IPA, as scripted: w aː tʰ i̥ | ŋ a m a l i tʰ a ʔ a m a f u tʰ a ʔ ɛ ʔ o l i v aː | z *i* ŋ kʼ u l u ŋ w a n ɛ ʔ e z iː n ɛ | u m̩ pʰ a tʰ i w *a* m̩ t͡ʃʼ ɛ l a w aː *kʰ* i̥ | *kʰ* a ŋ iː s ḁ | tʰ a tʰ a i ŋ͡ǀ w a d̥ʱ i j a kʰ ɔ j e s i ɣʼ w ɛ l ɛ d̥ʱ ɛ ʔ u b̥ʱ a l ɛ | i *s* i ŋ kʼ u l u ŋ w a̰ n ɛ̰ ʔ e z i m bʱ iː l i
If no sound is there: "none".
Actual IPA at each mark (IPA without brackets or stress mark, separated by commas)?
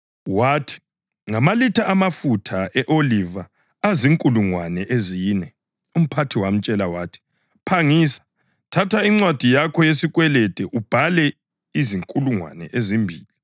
i, a, tʰ, pʰ, z